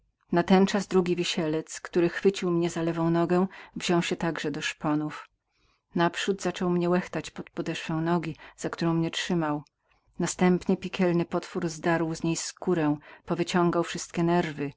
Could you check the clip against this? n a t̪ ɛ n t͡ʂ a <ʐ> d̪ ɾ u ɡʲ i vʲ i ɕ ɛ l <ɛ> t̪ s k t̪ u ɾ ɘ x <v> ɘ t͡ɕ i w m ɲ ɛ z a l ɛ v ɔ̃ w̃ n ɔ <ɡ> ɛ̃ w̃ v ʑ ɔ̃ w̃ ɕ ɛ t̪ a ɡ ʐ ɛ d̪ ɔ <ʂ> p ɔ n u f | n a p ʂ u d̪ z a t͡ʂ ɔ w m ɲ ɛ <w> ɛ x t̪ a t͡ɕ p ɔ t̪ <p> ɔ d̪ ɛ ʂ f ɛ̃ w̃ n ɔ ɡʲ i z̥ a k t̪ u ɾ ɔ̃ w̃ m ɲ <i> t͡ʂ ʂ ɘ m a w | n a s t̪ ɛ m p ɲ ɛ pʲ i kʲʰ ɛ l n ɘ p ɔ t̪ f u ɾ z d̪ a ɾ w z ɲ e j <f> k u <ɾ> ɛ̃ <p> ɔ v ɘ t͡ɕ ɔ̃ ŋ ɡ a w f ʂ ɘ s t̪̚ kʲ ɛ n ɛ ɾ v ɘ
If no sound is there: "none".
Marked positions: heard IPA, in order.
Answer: z, ɛ, f, ɡ, ʂ, w, p, ɛ, s, ɾ, p

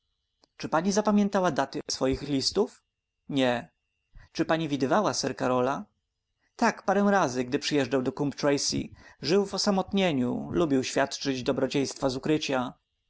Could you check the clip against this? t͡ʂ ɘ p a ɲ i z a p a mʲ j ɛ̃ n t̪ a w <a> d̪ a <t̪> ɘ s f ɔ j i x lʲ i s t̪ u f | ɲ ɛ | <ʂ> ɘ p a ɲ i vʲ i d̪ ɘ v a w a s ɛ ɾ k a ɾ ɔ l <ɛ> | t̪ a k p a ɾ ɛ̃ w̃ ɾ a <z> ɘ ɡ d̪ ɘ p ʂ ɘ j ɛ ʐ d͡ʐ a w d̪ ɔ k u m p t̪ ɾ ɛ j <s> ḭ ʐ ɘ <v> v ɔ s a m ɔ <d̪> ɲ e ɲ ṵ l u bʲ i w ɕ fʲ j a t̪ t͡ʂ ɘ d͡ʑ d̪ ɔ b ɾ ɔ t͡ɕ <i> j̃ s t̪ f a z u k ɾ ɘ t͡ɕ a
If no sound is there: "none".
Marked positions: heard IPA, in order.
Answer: a, t̪, t͡ʂ, a, z, s, w, t̪, e

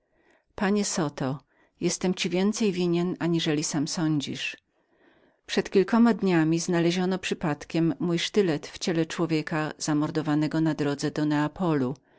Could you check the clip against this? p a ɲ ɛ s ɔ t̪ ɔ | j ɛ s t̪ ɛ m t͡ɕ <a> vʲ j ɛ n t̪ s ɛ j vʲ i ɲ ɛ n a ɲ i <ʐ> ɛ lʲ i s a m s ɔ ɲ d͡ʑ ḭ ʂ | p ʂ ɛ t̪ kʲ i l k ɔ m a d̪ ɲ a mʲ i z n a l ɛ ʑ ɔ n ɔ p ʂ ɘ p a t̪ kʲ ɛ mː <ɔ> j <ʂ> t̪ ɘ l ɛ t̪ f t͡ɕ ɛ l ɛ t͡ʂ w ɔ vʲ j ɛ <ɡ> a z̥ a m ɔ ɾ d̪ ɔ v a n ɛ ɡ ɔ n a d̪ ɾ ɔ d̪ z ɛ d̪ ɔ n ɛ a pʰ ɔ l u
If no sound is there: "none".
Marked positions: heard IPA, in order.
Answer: i, ʐ, u, ʂ, k

